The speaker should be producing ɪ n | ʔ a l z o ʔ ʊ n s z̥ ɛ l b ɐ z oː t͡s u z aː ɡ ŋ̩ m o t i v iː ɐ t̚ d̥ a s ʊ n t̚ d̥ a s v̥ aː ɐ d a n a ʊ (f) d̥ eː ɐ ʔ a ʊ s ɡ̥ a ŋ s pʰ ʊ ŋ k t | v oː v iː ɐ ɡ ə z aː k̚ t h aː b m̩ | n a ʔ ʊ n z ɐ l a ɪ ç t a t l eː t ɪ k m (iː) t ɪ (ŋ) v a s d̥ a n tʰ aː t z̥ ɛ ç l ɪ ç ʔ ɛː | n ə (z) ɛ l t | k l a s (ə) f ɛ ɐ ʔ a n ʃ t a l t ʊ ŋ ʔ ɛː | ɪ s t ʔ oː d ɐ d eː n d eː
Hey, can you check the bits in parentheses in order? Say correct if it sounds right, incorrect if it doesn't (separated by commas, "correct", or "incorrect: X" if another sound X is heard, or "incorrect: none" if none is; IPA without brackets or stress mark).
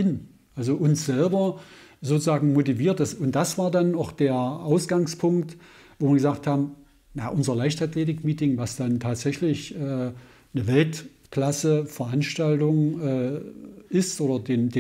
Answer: incorrect: x, correct, correct, incorrect: v, correct